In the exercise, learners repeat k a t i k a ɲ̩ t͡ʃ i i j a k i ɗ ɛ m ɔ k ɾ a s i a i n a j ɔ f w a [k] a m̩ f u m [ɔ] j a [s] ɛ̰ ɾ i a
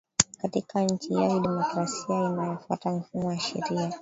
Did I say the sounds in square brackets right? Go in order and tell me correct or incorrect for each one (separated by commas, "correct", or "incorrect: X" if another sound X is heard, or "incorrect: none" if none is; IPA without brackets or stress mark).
incorrect: t, correct, incorrect: ʃ